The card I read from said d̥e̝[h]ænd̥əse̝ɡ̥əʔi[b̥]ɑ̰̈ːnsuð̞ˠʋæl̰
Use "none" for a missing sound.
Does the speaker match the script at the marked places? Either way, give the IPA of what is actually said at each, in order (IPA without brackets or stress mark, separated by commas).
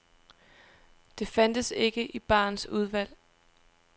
f, b̥